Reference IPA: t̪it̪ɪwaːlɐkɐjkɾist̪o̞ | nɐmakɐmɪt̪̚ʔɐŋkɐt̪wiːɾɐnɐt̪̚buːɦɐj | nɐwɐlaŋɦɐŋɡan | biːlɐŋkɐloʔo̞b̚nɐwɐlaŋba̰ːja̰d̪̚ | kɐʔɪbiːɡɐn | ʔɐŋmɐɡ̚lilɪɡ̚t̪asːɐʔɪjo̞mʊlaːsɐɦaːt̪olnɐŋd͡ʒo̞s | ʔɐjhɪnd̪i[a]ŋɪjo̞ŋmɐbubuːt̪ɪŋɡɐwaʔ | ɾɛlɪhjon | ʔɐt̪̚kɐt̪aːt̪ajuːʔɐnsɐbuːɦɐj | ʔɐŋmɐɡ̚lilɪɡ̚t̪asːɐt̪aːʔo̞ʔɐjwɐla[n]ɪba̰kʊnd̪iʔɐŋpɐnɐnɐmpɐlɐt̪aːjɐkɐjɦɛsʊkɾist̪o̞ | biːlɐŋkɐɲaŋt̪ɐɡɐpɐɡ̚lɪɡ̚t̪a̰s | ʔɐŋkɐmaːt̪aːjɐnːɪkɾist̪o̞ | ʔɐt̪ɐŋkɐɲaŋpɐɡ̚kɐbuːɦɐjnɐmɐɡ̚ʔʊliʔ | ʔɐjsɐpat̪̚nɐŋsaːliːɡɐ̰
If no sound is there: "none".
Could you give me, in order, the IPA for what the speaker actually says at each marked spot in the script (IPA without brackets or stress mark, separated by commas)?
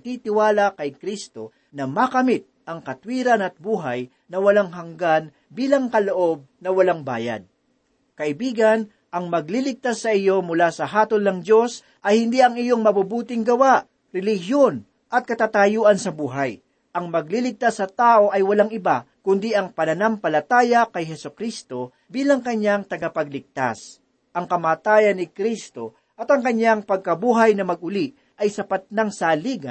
ɐ, ŋ